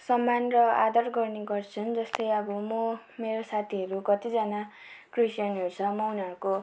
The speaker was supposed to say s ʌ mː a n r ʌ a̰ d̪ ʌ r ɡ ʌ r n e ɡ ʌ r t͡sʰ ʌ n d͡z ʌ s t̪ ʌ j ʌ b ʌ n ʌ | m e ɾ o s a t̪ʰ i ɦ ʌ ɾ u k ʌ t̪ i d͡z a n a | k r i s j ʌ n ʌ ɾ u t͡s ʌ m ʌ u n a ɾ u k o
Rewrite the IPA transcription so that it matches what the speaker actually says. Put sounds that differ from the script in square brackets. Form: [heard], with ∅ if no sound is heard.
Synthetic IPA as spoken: s ʌ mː a n r ʌ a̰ d̪ ʌ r ɡ ʌ r n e ɡ ʌ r t͡sʰ ʌ n d͡z ʌ s t̪ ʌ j ʌ b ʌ [m] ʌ | m e ɾ o s a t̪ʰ i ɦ ʌ ɾ u k ʌ t̪ i d͡z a n a | k r i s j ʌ n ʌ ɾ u [t͡sʰ] ʌ m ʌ u n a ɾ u k o